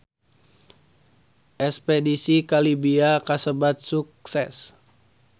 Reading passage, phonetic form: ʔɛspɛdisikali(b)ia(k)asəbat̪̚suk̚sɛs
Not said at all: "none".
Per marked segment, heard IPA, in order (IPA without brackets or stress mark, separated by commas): b, k